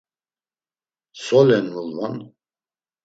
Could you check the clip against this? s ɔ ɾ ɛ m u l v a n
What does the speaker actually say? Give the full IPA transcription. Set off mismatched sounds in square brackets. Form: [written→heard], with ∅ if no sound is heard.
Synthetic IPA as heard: s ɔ [ɾ→l] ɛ [m→n] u l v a n